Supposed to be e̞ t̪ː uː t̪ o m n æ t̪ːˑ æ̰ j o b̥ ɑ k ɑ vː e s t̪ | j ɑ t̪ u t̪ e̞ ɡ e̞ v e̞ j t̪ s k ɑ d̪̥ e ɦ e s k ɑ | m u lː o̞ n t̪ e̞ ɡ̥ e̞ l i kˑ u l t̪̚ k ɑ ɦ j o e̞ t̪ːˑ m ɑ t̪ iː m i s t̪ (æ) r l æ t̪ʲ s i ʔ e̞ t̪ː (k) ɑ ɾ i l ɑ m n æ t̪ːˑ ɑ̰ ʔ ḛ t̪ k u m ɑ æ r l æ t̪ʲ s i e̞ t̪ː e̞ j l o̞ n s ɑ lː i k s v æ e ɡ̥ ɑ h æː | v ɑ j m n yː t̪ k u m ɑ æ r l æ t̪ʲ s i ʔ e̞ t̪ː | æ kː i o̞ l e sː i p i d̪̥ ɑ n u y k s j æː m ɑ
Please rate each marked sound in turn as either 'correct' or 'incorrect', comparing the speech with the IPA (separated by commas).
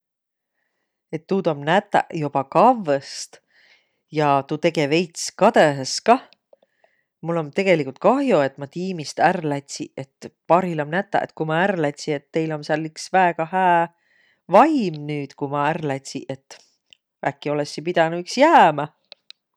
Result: correct, incorrect